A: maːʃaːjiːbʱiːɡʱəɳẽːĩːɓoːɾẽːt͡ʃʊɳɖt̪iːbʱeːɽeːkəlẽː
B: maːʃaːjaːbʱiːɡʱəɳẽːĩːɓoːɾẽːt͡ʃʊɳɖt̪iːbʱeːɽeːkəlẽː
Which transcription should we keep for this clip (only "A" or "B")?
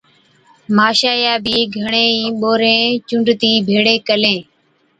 B